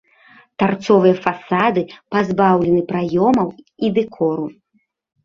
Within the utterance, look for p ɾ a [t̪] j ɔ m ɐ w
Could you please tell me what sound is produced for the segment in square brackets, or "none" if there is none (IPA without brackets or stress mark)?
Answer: none